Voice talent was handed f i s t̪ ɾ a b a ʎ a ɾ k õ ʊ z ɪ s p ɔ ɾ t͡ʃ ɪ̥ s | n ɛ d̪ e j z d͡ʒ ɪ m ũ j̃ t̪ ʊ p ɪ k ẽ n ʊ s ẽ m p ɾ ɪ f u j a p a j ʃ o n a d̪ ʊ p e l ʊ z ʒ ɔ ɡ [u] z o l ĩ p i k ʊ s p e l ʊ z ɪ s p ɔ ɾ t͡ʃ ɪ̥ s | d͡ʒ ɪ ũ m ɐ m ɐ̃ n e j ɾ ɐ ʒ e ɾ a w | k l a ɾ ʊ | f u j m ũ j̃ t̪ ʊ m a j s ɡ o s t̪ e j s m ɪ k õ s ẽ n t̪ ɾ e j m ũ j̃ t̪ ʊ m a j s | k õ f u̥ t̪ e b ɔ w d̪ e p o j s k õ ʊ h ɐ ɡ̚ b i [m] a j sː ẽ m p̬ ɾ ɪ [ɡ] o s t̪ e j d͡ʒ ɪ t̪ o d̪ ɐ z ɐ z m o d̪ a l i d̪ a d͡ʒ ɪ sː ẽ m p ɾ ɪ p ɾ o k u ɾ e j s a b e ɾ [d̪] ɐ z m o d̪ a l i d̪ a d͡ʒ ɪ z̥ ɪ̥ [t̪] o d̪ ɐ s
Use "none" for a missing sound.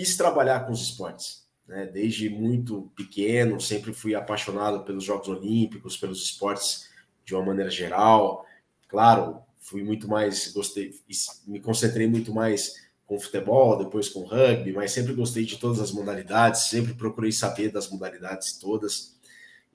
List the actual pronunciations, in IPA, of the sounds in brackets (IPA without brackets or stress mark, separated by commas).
ʊ, m, ɡ, d̪, t̪